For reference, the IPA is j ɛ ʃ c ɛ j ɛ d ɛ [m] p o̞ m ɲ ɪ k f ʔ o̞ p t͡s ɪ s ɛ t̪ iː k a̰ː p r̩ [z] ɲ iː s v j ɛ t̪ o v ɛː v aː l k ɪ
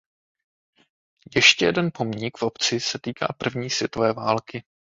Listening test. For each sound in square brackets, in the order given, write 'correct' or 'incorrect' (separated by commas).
incorrect, incorrect